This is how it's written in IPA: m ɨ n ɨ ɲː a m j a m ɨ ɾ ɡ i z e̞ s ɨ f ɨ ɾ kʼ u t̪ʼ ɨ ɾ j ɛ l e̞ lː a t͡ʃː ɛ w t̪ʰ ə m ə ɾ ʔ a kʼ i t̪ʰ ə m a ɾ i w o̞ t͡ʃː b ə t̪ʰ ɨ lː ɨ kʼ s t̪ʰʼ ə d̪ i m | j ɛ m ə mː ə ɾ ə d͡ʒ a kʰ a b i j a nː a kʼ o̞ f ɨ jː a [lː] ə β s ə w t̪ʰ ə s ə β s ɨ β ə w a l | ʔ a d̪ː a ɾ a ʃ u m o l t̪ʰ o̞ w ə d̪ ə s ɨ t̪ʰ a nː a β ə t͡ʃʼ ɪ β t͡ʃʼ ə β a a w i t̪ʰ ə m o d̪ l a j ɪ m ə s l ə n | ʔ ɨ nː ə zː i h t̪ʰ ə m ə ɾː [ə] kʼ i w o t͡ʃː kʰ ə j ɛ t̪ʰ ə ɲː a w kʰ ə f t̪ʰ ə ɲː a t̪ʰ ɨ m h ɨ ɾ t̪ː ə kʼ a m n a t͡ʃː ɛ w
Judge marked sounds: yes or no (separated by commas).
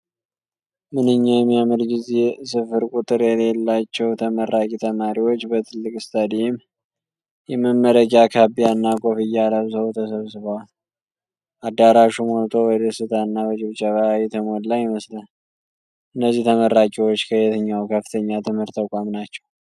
no, no